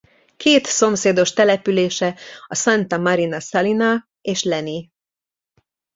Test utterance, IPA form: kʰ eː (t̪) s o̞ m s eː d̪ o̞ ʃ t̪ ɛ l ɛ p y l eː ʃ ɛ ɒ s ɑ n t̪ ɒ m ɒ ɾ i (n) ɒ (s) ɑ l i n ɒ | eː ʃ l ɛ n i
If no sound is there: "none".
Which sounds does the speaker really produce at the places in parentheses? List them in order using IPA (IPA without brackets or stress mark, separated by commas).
t̪, n, s